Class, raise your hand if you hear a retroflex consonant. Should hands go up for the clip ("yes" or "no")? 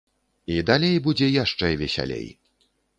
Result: yes